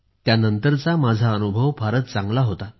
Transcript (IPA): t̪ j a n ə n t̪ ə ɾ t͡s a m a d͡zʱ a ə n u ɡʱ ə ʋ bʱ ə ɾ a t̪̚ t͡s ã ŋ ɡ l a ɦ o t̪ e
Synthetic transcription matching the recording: t̪ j a n ə n t̪ ə ɾ t͡s a m a d͡zʱ a ə n u bʱ ə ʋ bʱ a ɾ ə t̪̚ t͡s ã ŋ ɡ l a ɦ o t̪ a

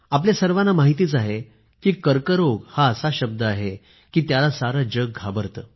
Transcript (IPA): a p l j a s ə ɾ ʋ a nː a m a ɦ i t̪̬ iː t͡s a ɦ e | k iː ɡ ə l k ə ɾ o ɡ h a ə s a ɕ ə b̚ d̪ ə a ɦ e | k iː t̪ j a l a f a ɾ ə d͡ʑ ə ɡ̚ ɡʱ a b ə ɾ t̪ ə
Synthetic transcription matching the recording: a p l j a s ə ɾ ʋ a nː a m a ɦ i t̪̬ iː t͡s a ɦ e | k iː k ə ɾ k ə ɾ o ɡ h a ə s a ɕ ə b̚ d̪ ə a ɦ e | k iː t̪ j a l a s a ɾ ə d͡ʑ ə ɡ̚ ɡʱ a b ə ɾ t̪ ə

